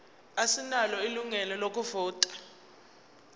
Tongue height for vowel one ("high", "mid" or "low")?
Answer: low